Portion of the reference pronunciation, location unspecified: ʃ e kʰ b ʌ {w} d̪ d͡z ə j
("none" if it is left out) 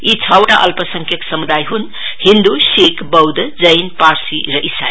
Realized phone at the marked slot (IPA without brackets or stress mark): w